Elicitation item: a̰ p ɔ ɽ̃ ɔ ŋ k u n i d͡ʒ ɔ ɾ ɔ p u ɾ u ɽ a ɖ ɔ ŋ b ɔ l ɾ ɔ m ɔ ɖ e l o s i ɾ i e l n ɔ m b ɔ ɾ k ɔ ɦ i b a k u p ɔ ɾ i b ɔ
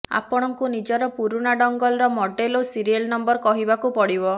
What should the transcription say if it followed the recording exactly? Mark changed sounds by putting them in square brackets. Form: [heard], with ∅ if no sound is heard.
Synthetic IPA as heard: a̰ p ɔ ɽ̃ ɔ ŋ k u n i d͡ʒ ɔ ɾ ɔ p u ɾ u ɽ a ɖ ɔ ŋ [ɡ] ɔ l ɾ ɔ m ɔ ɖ e l o s i ɾ i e l n ɔ m b ɔ ɾ k ɔ ɦ i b a k u p ɔ [ɽ] i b ɔ